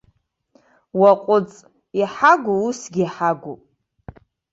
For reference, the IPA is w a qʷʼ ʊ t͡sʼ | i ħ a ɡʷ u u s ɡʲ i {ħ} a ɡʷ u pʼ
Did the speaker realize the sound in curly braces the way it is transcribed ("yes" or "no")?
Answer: yes